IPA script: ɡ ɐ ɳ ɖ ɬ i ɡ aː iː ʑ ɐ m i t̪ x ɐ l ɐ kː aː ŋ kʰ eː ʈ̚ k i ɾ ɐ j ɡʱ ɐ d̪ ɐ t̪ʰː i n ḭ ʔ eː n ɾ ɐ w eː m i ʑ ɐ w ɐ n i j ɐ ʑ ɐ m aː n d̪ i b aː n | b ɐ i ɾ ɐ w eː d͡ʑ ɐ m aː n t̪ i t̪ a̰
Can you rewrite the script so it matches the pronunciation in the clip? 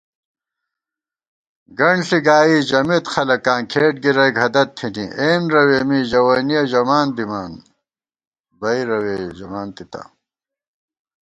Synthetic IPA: ɡ ɐ ɳ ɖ ɬ i ɡ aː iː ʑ ɐ m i t̪ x ɐ l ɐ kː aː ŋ kʰ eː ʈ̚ ɡ i ɾ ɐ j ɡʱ ɐ d̪ ɐ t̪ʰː i n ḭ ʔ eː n ɾ ɐ w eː m i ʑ ɐ w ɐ n i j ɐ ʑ ɐ m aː n d̪ i m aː n | b ɐ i ɾ ɐ w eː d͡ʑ ɐ m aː n t̪ i t̪ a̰